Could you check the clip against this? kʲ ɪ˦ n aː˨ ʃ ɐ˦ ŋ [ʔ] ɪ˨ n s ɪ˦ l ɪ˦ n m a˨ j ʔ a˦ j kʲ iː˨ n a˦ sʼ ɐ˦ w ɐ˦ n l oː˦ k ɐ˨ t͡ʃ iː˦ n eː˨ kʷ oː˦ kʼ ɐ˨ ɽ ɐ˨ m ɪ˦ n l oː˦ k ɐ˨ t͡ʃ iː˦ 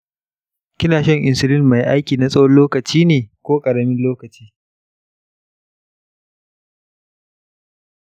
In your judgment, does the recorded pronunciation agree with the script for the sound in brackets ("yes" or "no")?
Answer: yes